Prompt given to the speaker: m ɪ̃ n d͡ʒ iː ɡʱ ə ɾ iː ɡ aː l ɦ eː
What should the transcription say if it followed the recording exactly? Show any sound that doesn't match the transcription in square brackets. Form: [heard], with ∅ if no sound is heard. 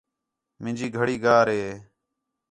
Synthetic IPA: m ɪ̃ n d͡ʒ iː ɡʱ ə [ɽ] iː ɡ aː [ɾ] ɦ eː